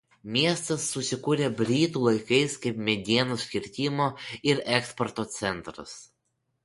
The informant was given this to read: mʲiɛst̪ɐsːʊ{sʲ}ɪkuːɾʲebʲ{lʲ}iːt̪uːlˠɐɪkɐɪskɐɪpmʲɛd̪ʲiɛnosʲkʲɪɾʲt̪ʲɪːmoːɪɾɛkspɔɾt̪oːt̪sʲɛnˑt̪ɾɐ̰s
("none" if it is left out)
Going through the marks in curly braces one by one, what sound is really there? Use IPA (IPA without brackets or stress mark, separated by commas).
sʲ, ɾʲ